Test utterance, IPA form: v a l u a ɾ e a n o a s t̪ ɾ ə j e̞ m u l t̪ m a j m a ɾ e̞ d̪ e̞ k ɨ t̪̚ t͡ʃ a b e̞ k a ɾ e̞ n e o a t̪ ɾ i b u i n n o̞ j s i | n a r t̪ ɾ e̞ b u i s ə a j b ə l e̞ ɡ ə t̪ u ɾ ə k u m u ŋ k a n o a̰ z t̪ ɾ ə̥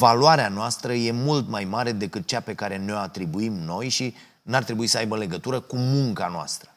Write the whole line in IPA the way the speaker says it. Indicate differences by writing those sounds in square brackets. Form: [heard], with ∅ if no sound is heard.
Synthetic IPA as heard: v a l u a ɾ e a n o a s t̪ ɾ ə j e̞ m u l t̪ m a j m a ɾ e̞ d̪ e̞ k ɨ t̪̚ t͡ʃ a [p] e̞ k a ɾ e̞ n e o a t̪ ɾ i b u i [m] n o̞ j [ʃ] i | n a r t̪ ɾ e̞ b u i s ə a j b ə l e̞ ɡ ə t̪ u ɾ ə k u m u ŋ k a n o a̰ [s] t̪ ɾ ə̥